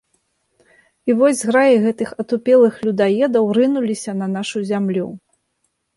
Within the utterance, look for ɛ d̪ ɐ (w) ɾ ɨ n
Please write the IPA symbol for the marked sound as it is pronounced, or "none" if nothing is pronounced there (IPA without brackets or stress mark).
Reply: w